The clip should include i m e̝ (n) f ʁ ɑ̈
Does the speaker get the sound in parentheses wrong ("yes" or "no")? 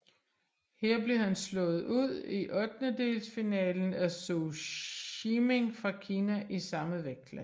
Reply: yes